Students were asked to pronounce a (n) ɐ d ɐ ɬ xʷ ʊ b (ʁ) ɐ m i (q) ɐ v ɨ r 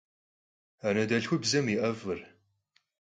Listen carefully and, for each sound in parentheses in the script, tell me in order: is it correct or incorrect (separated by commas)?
correct, incorrect, incorrect